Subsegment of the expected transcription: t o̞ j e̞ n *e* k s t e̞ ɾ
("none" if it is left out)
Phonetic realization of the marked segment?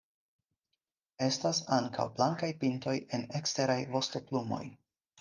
e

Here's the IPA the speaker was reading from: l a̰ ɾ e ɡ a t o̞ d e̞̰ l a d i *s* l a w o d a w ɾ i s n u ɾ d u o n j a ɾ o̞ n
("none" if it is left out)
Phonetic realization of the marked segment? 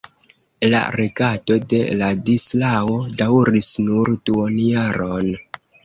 s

